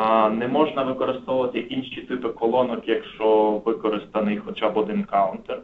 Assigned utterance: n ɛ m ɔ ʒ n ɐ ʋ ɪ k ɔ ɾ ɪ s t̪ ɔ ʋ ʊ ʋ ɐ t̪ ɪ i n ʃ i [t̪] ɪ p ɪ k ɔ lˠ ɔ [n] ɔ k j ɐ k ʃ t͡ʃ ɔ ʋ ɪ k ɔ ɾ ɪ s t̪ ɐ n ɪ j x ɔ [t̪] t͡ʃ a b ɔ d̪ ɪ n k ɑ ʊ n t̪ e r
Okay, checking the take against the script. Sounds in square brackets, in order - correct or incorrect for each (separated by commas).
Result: correct, correct, incorrect